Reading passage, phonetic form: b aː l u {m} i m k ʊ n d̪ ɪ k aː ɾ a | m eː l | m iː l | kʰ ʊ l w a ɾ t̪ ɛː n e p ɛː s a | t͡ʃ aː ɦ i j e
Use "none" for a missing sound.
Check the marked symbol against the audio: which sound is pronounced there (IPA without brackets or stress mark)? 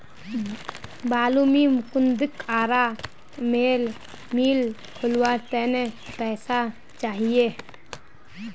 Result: m